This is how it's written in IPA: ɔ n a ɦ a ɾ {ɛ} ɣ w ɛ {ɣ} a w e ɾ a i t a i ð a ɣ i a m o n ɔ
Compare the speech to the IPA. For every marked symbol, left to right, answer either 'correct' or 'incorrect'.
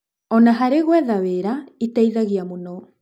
incorrect, incorrect

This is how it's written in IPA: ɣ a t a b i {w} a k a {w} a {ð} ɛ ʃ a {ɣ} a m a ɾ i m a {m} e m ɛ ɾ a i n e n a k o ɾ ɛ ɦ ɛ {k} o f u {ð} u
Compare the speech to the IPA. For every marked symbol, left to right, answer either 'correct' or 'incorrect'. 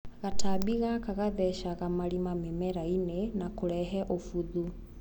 incorrect, incorrect, correct, correct, correct, incorrect, correct

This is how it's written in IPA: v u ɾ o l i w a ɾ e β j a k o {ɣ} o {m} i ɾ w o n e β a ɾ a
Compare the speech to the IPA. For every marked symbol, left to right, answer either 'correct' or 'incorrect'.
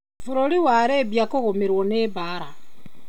correct, correct

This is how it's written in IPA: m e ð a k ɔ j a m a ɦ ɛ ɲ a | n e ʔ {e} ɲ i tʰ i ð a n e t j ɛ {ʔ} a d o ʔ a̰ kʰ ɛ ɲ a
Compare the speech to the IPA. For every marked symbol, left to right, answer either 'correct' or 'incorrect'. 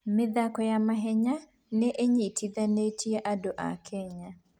correct, correct

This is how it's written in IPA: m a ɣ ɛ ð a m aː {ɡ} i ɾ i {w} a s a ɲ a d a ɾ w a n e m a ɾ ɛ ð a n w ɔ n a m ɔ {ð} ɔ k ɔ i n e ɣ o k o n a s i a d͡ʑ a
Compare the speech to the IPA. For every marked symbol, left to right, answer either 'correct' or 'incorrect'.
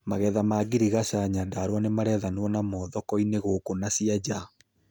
correct, incorrect, correct

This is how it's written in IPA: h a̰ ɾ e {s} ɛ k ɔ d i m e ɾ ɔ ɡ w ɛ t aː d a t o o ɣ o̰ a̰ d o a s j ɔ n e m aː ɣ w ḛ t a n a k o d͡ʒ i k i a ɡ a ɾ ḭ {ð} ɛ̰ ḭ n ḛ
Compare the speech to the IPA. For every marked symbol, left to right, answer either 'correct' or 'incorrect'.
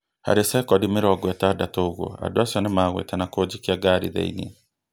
correct, correct

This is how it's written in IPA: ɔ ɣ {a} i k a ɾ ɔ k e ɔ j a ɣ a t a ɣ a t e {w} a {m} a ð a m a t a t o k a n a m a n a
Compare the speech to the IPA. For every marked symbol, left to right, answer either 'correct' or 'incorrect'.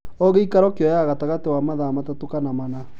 incorrect, correct, correct

